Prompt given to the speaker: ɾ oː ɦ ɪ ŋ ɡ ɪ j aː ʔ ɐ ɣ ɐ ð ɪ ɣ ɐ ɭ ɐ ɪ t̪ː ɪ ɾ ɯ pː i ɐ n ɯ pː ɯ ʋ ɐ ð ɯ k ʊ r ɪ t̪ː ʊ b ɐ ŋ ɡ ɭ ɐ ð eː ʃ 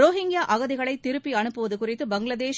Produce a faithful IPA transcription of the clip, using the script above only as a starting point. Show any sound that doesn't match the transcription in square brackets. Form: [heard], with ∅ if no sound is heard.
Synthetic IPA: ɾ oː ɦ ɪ ŋ ɡ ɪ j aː ʔ ɐ ɣ ɐ ð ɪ ɣ ɐ ɭ ɐ ɪ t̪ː ɪ ɾ ɯ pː i ɐ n ɯ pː ɯ ʋ ɐ ð ɯ k ʊ r ɪ t̪ː [ɯ] b ɐ ŋ ɡ ɭ ɐ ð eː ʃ